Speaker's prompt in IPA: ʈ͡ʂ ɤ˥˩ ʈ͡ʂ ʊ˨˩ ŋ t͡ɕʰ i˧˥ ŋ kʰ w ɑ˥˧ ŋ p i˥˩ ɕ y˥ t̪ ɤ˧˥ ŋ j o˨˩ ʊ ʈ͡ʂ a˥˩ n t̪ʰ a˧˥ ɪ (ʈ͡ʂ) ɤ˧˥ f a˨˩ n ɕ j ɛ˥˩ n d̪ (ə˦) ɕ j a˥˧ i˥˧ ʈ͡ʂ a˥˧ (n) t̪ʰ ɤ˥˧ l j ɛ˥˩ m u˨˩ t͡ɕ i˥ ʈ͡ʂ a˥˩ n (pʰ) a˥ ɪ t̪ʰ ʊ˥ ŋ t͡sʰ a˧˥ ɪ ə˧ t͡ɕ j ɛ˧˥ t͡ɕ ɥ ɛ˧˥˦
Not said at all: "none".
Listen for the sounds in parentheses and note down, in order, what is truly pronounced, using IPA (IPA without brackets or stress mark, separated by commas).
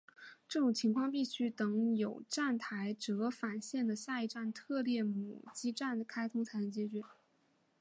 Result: ʈ͡ʂ, ə˩, n, kʰ